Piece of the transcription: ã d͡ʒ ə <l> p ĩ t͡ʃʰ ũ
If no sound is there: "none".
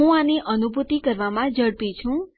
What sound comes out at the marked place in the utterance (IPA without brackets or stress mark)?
ɽ